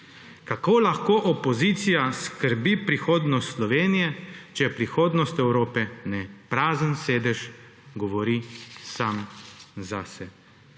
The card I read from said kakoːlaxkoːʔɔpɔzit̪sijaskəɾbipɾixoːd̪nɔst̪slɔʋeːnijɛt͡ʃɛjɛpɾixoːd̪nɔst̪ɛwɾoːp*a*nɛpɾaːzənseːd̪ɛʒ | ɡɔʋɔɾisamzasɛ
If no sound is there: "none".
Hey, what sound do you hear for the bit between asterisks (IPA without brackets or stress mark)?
ɛ